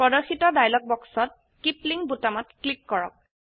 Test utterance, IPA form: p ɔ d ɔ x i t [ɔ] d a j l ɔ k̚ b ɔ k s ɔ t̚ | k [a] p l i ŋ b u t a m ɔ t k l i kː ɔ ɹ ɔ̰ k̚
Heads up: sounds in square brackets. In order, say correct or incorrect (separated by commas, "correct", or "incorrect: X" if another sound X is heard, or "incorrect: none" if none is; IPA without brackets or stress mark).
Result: correct, incorrect: i